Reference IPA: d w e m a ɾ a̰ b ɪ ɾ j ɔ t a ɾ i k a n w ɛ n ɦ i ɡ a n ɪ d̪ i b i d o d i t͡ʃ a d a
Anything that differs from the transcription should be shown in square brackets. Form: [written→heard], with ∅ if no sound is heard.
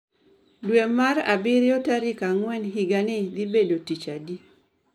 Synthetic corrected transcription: d w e m a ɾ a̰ b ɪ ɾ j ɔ t a ɾ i k a [n→ŋ] w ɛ n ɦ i ɡ a n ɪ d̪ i b [i→e] d o [d→t] i t͡ʃ a d [a→i]